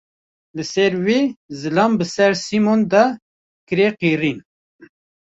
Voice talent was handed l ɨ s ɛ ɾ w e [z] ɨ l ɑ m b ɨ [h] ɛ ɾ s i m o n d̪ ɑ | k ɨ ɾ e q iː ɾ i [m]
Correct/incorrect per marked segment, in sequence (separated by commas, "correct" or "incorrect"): correct, incorrect, incorrect